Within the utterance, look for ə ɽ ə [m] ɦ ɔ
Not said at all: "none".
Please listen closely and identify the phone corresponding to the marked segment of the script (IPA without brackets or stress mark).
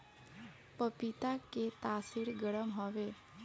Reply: m